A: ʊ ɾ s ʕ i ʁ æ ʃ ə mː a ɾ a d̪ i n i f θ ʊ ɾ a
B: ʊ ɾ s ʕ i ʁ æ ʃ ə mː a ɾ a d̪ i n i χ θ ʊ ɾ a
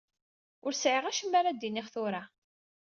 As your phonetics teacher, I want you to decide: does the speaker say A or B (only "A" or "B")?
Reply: B